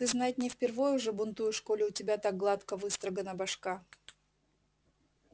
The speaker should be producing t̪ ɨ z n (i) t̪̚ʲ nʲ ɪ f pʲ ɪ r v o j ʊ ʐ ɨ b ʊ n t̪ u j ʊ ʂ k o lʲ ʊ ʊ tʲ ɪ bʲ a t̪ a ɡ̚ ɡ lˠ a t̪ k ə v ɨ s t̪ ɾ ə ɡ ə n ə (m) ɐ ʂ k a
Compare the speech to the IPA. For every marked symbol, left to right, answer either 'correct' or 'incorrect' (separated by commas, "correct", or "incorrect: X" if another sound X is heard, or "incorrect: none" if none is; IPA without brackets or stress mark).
incorrect: a, incorrect: b